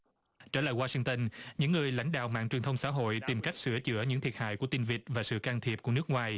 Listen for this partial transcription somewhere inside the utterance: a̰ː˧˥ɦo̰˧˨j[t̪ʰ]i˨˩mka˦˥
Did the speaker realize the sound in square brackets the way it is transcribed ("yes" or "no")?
no